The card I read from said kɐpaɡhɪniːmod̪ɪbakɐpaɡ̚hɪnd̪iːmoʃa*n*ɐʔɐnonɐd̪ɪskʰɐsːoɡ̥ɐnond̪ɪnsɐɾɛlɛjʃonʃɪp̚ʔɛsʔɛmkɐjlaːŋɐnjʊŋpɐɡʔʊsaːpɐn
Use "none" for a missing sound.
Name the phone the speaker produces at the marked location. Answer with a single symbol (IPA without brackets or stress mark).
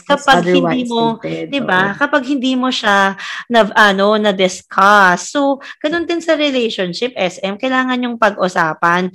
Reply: n